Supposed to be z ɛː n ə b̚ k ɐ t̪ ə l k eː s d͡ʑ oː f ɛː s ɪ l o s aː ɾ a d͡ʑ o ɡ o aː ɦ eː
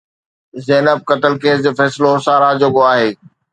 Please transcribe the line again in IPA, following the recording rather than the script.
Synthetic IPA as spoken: z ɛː n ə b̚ k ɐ t̪ ə l k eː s d͡ʑ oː f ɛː s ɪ l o s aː ɾ a d͡ʑ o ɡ o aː ɦ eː